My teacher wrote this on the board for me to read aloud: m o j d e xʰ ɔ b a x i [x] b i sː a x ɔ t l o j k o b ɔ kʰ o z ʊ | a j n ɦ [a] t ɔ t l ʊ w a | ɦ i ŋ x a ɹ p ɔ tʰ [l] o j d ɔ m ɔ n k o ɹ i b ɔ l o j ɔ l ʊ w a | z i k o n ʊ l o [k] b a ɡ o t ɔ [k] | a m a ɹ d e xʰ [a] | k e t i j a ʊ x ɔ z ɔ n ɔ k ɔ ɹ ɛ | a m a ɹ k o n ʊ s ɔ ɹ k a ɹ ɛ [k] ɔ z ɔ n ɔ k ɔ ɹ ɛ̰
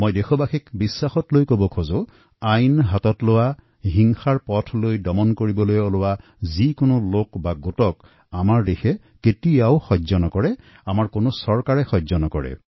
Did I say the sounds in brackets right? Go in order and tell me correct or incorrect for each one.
incorrect: k, correct, correct, correct, correct, incorrect: ɛ, incorrect: x

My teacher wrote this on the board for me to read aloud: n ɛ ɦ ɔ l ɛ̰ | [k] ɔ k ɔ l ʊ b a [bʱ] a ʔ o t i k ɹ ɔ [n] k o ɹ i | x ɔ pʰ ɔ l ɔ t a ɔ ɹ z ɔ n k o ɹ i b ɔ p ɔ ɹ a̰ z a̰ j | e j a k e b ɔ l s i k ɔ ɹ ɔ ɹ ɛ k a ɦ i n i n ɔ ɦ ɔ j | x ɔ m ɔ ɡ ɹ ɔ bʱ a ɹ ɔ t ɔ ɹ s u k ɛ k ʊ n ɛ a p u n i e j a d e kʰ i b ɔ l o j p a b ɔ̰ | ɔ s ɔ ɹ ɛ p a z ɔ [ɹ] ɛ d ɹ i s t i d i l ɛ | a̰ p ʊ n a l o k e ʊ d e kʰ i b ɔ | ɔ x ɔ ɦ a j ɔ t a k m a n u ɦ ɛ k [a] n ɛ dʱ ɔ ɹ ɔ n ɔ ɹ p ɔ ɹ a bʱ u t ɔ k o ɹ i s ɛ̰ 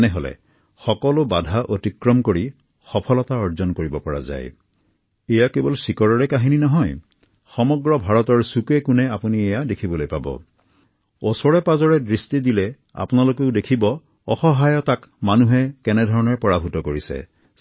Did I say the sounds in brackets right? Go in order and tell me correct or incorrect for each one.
incorrect: x, incorrect: dʱ, incorrect: m, correct, incorrect: ɛ

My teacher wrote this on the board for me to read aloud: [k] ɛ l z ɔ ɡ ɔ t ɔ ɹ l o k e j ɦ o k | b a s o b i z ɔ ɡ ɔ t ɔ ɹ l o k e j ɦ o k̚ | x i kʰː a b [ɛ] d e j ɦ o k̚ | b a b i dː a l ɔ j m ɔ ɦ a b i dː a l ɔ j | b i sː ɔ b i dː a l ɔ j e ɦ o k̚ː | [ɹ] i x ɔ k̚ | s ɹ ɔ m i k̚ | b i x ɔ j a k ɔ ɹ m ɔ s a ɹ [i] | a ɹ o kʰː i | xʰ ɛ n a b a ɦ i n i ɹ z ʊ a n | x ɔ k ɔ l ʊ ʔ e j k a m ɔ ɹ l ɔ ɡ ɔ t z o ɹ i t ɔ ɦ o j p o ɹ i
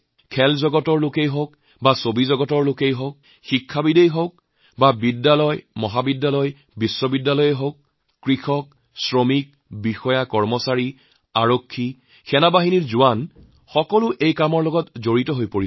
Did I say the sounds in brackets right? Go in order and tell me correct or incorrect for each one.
incorrect: kʰ, incorrect: i, correct, correct

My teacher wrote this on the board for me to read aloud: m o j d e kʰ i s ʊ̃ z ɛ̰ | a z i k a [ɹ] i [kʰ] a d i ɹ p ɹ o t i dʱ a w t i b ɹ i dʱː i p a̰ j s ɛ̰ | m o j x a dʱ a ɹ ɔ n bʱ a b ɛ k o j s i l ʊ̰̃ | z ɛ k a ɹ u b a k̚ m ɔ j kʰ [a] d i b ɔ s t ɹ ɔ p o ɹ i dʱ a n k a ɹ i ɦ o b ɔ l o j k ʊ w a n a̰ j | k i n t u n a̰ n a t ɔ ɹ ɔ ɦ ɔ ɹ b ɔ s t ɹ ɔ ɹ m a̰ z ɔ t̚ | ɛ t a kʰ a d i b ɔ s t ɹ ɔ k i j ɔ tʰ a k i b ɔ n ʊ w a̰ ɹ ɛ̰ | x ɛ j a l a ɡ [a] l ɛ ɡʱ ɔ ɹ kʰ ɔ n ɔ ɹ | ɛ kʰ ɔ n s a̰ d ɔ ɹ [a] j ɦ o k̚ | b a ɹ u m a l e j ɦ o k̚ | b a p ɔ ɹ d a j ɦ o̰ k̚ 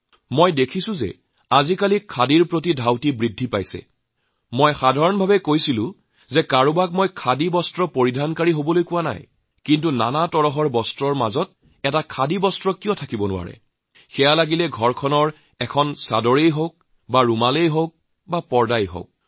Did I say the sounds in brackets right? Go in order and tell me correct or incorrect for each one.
incorrect: l, correct, correct, incorrect: i, incorrect: e

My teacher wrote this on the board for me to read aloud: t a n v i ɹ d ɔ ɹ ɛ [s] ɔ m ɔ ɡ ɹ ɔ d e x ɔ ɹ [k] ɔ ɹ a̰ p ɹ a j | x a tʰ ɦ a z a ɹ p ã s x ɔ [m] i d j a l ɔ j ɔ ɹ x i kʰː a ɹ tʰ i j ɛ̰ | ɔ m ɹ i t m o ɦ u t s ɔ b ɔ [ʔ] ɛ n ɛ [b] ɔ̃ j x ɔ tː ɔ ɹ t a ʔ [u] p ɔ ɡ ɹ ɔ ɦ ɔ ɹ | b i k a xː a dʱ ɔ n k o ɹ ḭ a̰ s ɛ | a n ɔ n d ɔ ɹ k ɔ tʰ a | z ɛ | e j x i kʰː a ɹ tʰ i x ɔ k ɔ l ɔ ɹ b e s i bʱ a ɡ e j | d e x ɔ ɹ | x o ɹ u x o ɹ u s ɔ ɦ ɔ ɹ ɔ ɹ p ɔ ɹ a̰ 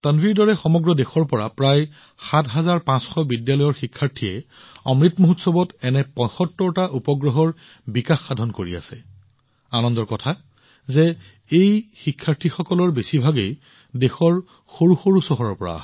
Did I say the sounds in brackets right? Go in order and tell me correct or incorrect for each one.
incorrect: x, incorrect: p, incorrect: b, incorrect: t, incorrect: p, correct

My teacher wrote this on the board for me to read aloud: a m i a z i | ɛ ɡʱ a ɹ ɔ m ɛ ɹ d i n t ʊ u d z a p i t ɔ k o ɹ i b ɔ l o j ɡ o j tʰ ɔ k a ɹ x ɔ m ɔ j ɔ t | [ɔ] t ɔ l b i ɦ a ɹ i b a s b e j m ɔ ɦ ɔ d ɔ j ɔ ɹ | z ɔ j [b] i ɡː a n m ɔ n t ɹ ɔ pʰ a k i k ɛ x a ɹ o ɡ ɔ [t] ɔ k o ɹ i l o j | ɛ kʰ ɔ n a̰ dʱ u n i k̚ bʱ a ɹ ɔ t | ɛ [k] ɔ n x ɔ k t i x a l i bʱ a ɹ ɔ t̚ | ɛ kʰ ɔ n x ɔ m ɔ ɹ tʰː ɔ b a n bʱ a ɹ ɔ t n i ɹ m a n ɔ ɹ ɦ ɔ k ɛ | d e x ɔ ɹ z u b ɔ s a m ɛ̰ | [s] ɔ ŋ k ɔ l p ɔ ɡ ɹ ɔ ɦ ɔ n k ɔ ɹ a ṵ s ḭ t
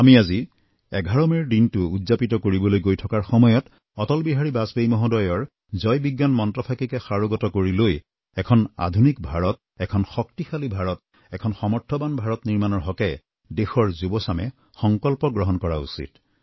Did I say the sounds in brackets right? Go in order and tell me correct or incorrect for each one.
correct, correct, correct, incorrect: kʰ, incorrect: x

